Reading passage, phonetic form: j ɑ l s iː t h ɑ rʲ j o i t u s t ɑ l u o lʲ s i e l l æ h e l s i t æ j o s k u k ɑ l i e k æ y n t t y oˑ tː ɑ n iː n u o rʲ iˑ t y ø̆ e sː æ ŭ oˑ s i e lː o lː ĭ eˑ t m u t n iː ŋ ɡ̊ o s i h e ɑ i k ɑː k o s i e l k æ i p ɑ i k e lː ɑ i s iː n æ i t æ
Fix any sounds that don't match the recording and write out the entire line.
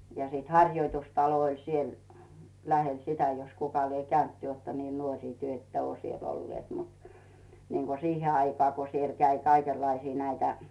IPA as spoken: j ɑ s iː t h ɑ rʲ j o i t u s t ɑ l o o lʲ s i e l l æ h e l s i t æ j o s k u k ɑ l i e k æ y n t t y oˑ tː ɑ n iː n u o rʲ iˑ t y ø̆ e tː æ ŭ oˑ s i e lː o lː ĭ eˑ t m u t n iː ŋ ɡ̊ o s i h e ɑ i k ɑː k o s i e l k æ i k ɑ i k e lː ɑ i s iː n æ i t æ